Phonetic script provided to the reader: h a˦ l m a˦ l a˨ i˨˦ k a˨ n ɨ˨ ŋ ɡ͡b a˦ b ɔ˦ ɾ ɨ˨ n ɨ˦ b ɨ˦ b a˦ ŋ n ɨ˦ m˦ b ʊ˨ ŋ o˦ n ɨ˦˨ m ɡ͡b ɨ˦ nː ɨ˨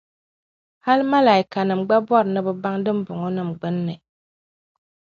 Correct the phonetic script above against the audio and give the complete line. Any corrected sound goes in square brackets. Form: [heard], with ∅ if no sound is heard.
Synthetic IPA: h a˦ l m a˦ l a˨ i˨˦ k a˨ n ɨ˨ [m] ɡ͡b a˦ b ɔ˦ ɾ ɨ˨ n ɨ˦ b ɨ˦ b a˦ ŋ [d] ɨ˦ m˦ b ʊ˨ ŋ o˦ n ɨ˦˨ m ɡ͡b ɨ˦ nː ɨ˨